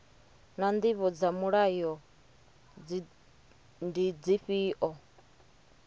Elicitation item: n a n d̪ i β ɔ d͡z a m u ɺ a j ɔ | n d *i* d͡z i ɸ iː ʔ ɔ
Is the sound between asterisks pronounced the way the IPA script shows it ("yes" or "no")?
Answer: yes